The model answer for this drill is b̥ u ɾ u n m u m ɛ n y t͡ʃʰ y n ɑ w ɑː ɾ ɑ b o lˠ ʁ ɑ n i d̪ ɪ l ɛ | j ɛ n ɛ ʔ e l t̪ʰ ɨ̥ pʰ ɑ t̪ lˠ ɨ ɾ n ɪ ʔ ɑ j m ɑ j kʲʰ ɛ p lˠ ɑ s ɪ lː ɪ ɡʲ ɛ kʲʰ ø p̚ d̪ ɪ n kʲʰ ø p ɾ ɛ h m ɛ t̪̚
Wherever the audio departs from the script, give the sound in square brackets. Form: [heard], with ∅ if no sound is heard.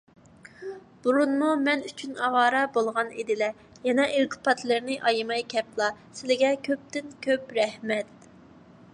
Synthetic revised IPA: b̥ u ɾ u n m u m ɛ n y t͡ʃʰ y n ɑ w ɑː ɾ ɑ b o lˠ ʁ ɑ n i d̪ ɪ l ɛ | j ɛ n ɛ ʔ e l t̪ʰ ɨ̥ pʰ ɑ t̪ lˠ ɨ ɾ n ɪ ʔ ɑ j m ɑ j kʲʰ ɛ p lˠ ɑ s ɪ [l] ɪ ɡʲ ɛ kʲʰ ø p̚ [t̪] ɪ n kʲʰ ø p ɾ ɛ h m ɛ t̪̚